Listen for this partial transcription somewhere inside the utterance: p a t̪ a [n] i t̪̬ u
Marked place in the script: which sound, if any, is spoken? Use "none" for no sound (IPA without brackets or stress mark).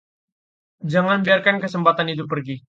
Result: n